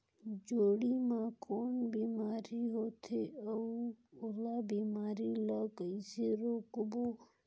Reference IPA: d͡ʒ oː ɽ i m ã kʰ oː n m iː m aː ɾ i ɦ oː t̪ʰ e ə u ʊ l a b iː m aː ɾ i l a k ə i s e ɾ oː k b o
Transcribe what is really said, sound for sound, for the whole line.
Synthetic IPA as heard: d͡ʒ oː ɽ i m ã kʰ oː n b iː m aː ɾ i ɦ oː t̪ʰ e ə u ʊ l a b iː m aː ɾ i l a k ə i s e ɾ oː k b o